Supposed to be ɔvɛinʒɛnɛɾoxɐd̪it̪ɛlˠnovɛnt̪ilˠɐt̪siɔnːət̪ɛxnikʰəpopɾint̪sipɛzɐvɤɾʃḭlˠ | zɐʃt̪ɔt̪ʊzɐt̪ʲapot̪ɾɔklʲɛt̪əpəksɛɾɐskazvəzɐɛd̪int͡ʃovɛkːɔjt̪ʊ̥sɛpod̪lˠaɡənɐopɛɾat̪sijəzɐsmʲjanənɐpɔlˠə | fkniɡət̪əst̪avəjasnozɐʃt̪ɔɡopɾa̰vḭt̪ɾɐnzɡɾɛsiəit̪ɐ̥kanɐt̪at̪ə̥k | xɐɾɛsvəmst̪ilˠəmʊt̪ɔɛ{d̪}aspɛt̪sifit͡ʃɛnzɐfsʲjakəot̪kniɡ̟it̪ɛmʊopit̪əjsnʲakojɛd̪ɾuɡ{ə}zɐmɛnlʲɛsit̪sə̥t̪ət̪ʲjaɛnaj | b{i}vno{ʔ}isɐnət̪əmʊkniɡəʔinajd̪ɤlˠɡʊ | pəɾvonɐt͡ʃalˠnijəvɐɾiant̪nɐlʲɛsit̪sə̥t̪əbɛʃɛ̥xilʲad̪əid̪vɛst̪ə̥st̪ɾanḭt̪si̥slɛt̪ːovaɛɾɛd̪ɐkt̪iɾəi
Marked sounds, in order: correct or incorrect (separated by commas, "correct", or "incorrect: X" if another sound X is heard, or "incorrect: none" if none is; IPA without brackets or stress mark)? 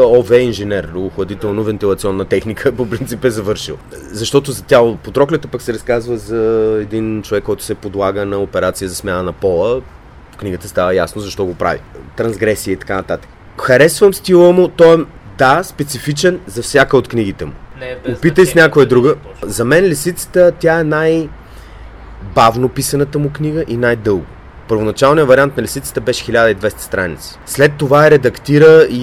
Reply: correct, correct, incorrect: a, incorrect: p